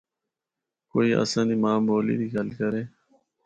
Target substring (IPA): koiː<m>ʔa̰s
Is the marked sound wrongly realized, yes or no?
yes